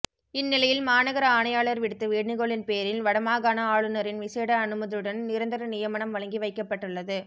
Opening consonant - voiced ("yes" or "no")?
yes